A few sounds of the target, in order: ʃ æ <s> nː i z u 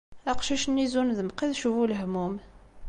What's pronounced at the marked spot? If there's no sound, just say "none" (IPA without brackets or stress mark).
ʃ